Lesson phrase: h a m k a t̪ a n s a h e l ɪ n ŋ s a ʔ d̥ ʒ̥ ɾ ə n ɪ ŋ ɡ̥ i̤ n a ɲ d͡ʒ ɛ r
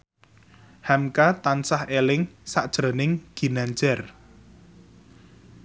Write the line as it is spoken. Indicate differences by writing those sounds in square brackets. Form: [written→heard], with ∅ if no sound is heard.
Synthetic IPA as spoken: h a m k a t̪ a n s a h e l ɪ [n→∅] ŋ s a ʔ d̥ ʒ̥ ɾ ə n ɪ ŋ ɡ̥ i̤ n a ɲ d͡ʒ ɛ r